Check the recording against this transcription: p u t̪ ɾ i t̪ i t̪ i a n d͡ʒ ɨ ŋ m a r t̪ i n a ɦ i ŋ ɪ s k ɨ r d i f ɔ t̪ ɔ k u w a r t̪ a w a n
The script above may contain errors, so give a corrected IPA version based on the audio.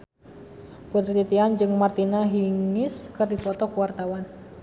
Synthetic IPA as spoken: p u t̪ ɾ i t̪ i t̪ i a n d͡ʒ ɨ ŋ m a r t̪ i n a ɦ i ŋ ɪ s k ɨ r d i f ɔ t̪ ɔ k u w a r t̪ a w a n